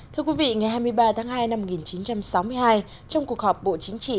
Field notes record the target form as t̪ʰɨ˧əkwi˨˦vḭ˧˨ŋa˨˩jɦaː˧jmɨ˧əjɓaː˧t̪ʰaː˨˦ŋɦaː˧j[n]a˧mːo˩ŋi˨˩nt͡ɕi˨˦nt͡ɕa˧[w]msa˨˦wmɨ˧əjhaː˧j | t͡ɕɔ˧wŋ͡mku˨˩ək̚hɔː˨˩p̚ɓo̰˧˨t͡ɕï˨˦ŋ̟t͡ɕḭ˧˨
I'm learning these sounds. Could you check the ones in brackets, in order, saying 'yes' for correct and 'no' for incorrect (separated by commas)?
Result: yes, no